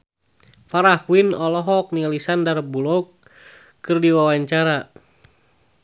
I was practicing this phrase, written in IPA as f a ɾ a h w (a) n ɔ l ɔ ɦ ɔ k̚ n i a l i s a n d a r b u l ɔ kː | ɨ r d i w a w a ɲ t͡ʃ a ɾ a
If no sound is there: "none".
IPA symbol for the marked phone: i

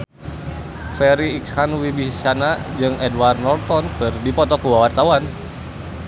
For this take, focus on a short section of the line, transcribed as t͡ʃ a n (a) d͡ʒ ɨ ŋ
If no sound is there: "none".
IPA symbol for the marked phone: a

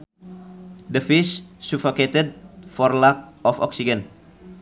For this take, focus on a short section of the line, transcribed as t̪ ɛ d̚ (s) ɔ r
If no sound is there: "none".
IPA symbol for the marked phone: f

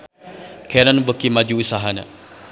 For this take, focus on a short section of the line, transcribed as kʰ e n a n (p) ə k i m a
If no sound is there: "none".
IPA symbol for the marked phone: b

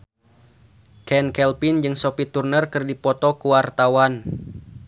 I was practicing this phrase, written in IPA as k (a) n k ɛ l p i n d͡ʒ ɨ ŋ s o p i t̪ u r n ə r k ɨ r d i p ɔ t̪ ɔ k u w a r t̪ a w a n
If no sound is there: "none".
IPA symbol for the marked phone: ɛ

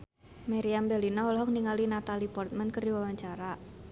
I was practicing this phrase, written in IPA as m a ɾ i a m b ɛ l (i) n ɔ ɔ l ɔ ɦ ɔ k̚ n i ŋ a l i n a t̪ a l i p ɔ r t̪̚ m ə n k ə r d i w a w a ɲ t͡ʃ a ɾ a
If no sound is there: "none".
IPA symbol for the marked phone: i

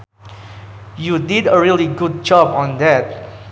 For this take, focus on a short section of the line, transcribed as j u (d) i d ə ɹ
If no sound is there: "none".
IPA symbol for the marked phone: d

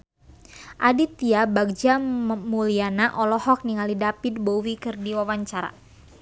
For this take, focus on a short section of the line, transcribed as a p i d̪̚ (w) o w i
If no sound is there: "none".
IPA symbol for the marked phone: b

